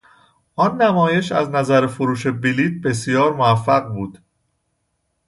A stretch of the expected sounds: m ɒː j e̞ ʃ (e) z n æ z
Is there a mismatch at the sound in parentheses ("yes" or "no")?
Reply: yes